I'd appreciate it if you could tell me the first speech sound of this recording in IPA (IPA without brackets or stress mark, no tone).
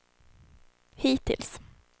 h